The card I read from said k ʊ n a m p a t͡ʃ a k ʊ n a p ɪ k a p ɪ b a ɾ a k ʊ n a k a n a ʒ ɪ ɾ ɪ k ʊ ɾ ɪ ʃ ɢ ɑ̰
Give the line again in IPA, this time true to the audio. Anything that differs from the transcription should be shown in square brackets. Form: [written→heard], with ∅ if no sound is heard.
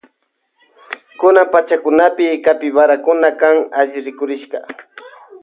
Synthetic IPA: k ʊ n a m p a t͡ʃ a k ʊ n a p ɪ k a p ɪ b a ɾ a k ʊ n a k a [n→ŋ] a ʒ ɪ ɾ ɪ k ʊ ɾ ɪ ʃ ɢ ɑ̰